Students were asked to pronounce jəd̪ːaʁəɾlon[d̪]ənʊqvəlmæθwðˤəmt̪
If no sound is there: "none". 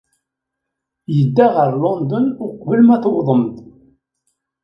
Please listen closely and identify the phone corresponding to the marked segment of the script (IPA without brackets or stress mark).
d̪